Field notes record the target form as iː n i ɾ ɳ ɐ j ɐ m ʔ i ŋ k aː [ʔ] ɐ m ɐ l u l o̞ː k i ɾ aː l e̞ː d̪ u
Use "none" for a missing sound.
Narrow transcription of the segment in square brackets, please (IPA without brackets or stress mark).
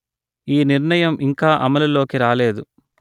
ʔ